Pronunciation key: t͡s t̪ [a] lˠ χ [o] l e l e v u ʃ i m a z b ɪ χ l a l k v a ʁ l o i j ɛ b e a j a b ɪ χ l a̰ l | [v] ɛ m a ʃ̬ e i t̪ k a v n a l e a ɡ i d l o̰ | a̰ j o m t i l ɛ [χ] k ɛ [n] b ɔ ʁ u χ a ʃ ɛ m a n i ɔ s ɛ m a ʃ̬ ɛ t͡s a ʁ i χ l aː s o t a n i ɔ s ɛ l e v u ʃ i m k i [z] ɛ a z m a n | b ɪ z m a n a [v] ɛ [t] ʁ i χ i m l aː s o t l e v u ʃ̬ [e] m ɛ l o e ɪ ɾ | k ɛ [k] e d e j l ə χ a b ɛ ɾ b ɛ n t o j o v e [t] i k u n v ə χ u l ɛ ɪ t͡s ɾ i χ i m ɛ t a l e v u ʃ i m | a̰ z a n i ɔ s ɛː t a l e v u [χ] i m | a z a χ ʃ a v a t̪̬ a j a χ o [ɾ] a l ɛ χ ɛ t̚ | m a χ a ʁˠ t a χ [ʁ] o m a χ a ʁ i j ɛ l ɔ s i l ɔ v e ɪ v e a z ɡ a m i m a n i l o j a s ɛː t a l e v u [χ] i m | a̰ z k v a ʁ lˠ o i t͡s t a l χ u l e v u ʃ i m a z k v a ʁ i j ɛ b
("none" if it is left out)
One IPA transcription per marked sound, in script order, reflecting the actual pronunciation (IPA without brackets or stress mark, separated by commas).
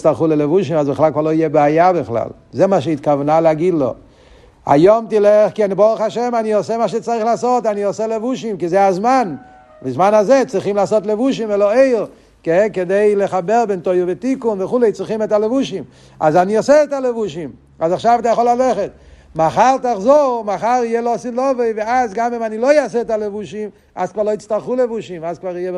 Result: a, u, z, χ, n, z, z, t͡s, i, k, t, ʃ, l, z, ʃ